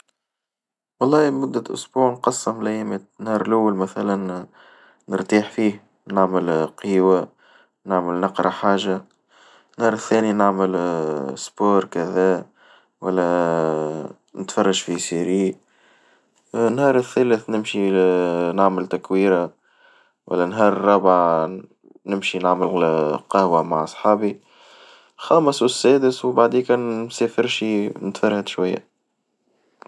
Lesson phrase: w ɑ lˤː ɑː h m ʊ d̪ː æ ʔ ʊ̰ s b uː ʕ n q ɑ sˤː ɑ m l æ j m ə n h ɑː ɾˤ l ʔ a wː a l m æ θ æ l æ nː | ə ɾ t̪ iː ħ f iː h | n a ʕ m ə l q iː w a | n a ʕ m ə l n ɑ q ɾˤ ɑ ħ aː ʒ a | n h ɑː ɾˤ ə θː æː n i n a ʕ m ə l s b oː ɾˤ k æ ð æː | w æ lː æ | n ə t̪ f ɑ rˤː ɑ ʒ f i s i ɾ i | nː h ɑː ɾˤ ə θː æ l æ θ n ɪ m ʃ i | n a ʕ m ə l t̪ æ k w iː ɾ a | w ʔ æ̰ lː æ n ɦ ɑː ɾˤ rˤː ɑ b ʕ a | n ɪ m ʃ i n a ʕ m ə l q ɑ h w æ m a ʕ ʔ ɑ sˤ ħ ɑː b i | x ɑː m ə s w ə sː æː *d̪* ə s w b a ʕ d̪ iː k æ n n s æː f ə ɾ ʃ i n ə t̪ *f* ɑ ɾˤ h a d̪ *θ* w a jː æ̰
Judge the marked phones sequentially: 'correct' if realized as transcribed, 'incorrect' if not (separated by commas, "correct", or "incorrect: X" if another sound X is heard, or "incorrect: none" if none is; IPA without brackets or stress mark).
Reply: correct, correct, incorrect: ʃ